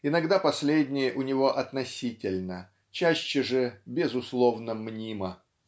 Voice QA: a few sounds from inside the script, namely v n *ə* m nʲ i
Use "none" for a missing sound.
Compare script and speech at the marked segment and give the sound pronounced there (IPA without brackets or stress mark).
ə